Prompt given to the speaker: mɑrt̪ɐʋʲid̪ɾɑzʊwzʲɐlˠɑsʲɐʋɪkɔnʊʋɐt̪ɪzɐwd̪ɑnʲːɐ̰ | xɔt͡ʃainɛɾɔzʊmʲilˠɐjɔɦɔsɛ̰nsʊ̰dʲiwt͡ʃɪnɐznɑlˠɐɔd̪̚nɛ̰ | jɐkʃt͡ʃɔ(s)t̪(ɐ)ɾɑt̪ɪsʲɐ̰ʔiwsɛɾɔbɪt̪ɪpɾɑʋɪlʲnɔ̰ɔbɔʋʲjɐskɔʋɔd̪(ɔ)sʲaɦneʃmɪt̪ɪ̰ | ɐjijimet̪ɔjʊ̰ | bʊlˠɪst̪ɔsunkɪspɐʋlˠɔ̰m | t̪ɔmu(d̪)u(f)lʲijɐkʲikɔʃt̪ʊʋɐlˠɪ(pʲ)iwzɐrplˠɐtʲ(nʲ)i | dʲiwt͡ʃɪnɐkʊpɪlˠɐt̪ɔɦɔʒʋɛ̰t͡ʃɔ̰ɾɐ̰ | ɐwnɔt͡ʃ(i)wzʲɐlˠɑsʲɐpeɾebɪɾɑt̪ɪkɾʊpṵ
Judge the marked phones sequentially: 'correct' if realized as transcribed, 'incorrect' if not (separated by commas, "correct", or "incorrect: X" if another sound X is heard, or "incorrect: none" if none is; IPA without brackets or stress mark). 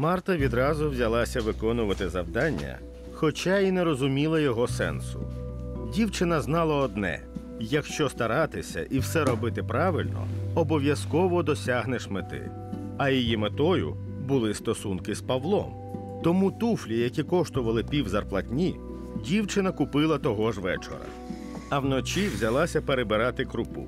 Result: correct, correct, correct, incorrect: t̪, correct, correct, correct, correct